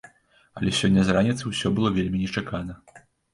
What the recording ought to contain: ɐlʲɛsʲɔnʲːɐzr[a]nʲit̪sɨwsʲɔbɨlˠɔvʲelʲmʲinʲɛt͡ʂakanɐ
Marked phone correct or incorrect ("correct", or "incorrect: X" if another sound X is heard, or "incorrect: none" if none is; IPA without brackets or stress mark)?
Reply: correct